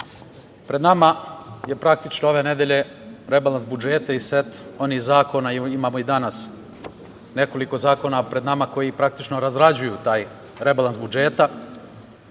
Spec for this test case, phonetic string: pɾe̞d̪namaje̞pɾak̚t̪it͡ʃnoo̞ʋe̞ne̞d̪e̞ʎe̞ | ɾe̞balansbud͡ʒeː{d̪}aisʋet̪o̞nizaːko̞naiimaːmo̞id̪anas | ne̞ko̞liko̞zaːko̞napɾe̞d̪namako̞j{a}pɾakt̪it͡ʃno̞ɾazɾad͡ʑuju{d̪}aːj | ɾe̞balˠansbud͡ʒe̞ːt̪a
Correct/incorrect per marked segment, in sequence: incorrect: t̪, incorrect: i, incorrect: t̪

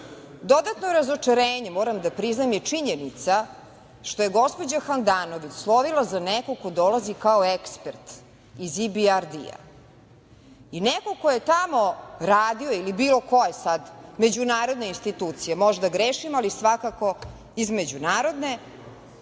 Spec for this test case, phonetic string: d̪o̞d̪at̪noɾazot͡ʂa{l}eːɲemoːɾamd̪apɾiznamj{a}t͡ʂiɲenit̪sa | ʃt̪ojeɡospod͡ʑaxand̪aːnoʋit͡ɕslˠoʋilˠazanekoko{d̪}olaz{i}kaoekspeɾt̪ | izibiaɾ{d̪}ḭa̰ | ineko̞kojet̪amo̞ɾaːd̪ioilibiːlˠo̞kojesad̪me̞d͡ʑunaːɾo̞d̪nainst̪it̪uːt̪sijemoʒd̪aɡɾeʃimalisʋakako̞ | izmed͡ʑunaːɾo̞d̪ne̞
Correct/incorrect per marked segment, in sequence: incorrect: ɾ, incorrect: e, correct, correct, correct

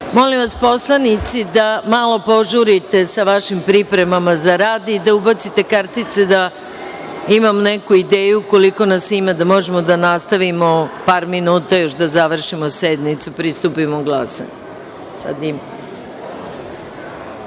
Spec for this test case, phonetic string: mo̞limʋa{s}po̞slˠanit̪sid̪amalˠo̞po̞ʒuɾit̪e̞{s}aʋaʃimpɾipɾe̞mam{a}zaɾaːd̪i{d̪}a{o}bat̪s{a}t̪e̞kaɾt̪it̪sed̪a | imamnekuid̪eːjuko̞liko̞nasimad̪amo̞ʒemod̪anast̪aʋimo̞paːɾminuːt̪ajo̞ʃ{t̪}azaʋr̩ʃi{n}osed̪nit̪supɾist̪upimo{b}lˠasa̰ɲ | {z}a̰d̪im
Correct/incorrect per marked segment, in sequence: correct, correct, correct, correct, incorrect: u, incorrect: i, incorrect: d̪, incorrect: m, incorrect: ɡ, incorrect: s

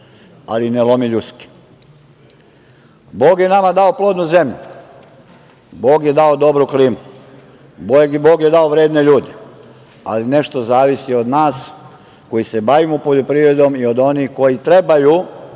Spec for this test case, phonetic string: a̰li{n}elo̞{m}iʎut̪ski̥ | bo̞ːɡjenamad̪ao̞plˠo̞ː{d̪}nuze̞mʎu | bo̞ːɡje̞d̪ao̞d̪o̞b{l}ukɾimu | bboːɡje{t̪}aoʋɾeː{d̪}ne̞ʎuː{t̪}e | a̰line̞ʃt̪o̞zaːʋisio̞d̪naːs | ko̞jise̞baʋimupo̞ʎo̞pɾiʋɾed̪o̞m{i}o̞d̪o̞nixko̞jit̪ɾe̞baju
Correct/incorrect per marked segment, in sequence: correct, correct, correct, incorrect: ɾ, incorrect: d̪, correct, incorrect: d̪, correct

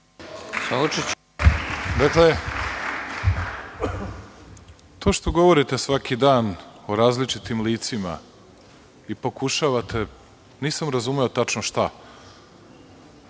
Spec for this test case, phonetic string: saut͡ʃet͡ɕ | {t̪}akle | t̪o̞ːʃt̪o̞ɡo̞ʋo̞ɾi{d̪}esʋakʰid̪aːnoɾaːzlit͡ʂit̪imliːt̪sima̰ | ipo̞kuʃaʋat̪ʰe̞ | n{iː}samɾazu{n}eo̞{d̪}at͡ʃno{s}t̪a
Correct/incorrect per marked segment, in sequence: incorrect: d̪, incorrect: t̪, correct, incorrect: m, incorrect: t̪, incorrect: ʃ

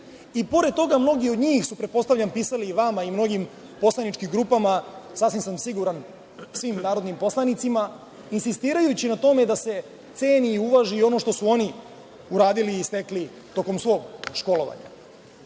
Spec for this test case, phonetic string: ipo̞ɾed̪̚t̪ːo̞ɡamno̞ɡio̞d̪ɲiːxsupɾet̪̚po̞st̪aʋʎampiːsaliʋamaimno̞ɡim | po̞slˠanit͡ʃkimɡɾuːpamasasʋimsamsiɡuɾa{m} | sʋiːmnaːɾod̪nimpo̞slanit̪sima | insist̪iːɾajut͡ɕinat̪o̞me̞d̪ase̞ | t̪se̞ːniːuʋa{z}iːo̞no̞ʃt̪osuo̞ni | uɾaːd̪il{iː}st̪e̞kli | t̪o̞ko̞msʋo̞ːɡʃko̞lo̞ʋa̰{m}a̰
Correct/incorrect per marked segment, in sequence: incorrect: n, incorrect: ʒ, correct, incorrect: ɲ

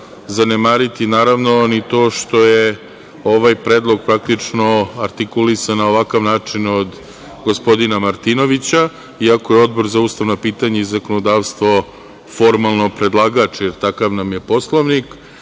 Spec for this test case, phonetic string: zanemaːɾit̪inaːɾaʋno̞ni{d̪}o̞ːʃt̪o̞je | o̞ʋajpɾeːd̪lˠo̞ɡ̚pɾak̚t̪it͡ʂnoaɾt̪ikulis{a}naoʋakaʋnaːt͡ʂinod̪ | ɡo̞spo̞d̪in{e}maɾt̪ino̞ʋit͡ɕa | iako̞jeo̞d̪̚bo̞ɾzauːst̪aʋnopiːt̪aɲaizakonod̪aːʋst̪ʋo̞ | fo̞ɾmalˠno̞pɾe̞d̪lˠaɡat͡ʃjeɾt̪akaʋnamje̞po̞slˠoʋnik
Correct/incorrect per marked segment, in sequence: incorrect: t̪, correct, incorrect: a

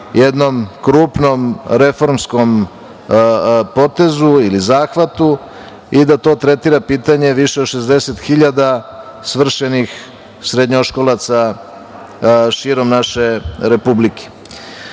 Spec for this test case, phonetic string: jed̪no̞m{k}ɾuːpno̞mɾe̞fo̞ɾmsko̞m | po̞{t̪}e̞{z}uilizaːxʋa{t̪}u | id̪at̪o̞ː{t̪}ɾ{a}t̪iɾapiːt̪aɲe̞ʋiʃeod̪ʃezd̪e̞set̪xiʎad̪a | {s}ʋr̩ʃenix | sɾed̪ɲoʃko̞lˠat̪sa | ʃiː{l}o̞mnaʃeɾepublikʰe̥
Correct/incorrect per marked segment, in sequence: correct, correct, correct, correct, correct, incorrect: e, correct, incorrect: ɾ

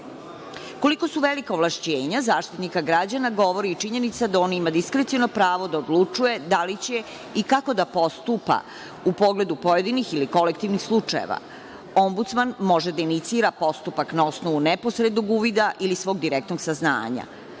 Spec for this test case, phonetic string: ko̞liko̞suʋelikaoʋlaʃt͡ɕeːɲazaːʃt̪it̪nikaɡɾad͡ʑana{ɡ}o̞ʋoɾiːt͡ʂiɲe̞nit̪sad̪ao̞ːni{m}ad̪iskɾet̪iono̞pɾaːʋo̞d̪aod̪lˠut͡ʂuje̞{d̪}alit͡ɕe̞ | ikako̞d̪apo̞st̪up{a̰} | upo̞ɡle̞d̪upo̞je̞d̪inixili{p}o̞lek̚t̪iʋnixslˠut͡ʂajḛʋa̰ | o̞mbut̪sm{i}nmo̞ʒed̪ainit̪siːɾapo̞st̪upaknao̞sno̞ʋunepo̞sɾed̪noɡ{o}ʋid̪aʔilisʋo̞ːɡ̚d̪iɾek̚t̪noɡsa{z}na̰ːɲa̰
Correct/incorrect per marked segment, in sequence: correct, correct, correct, correct, incorrect: k, incorrect: a, incorrect: u, correct

